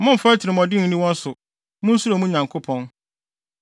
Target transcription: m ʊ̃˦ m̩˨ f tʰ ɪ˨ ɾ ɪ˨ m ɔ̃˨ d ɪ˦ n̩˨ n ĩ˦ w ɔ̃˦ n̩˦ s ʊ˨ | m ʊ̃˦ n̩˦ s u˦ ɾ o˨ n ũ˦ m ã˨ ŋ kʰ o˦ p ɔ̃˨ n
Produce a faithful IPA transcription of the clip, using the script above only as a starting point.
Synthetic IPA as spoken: m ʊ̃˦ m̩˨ f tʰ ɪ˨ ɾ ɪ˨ m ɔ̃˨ d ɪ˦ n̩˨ n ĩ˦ w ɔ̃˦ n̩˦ s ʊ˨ | m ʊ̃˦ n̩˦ s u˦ ɾ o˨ m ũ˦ ɲ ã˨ ŋ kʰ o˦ pʰ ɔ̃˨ n